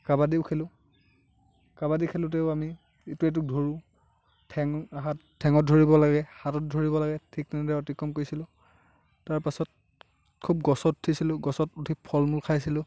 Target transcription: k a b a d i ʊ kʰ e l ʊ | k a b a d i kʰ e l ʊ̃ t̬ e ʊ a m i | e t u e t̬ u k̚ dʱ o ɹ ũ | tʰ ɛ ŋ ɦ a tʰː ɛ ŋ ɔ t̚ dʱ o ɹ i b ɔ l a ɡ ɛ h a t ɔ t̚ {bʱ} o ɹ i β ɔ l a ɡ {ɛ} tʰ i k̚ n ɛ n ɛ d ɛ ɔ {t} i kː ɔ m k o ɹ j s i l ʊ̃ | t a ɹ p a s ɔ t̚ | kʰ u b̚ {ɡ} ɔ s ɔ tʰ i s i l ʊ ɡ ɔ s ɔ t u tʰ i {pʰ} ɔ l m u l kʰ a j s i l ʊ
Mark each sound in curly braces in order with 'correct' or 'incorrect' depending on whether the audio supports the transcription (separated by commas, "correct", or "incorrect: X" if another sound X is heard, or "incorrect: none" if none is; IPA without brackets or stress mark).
incorrect: dʱ, correct, correct, correct, correct